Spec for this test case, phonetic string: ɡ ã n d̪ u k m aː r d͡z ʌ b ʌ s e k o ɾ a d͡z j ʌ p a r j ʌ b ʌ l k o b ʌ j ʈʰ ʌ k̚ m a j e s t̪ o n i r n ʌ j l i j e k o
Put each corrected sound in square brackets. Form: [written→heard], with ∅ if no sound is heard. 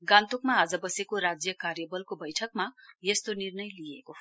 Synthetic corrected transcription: ɡ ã n [d̪→t̪] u k m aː [r→∅] d͡z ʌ b ʌ s e k o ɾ a d͡z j ʌ [p→k] a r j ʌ b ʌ l k o b ʌ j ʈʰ ʌ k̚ m a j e s t̪ o n i r n ʌ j l i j e k o